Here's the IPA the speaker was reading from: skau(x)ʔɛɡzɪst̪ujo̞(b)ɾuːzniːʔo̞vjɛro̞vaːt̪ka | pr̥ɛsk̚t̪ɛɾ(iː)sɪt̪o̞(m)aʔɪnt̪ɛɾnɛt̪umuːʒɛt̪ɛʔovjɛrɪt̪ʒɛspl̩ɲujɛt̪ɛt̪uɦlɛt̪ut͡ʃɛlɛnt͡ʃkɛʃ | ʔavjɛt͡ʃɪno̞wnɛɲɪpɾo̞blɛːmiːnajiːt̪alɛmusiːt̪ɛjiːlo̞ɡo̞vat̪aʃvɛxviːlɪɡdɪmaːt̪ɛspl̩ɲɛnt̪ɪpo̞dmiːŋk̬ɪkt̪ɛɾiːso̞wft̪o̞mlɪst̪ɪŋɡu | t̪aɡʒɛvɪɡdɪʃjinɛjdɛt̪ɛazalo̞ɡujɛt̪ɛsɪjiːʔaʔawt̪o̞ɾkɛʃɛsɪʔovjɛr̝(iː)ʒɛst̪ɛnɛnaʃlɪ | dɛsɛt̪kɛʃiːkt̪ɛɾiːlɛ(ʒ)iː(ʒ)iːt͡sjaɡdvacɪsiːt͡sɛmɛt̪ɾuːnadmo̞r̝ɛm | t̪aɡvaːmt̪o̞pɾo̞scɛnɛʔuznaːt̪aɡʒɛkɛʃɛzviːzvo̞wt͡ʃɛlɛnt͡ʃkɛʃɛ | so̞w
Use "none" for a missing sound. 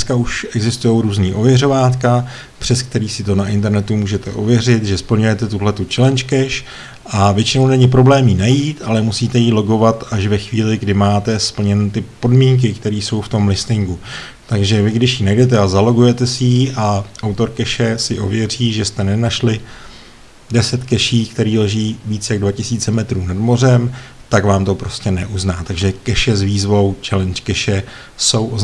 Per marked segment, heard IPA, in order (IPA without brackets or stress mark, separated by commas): ʃ, w, iː, n, iː, ʒ, v